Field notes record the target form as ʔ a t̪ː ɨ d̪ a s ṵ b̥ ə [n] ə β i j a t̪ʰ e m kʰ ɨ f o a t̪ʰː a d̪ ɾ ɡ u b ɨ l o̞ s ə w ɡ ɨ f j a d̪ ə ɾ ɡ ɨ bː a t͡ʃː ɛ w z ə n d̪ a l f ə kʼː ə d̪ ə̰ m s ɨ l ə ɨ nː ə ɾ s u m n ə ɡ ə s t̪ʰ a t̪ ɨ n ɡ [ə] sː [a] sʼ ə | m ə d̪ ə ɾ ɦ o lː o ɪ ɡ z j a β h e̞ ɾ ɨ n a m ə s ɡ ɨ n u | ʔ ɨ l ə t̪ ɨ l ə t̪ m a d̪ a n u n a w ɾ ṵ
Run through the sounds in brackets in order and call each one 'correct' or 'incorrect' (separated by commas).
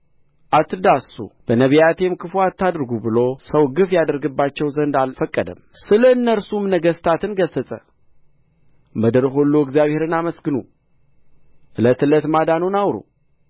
correct, correct, incorrect